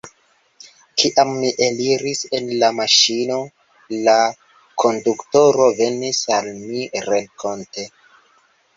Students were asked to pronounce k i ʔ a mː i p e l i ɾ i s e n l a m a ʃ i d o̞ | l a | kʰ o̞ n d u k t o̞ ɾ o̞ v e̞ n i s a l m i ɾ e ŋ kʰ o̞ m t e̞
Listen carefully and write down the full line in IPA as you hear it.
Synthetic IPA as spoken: k i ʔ a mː i ʔ e l i ɾ i s e n l a m a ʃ i n o̞ | l a | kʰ o̞ n d u k t o̞ ɾ o̞ v e̞ n i s a l m i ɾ e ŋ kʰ o̞ n t e̞